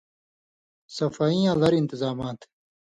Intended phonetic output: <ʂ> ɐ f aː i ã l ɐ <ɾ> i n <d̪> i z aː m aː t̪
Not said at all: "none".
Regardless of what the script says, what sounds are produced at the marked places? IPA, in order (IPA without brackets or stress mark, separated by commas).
s, ɾ, t̪